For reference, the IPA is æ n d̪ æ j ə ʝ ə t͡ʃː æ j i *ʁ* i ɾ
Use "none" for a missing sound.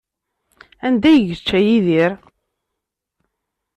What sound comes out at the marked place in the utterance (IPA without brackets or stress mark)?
ð